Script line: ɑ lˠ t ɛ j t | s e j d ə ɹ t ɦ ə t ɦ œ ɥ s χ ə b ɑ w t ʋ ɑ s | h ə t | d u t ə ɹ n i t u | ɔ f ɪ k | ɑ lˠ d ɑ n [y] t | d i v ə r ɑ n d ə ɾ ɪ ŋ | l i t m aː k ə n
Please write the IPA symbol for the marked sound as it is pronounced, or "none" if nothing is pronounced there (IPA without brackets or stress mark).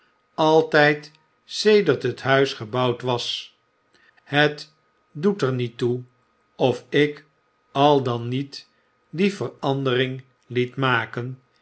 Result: i